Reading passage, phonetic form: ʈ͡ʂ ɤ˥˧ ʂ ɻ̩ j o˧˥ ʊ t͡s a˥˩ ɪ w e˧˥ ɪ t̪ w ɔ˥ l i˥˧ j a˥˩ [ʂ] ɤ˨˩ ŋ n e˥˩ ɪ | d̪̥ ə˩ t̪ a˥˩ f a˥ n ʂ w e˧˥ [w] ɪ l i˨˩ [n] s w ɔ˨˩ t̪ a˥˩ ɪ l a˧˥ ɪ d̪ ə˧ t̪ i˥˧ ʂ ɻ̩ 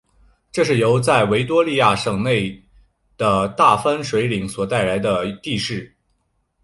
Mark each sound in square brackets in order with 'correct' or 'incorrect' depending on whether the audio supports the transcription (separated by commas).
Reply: correct, incorrect, incorrect